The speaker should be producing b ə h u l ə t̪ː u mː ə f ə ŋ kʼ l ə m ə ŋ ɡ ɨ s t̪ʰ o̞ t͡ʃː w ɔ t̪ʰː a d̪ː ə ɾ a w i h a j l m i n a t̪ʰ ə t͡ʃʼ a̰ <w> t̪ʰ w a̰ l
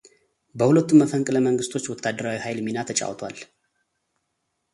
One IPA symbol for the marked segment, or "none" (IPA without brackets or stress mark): w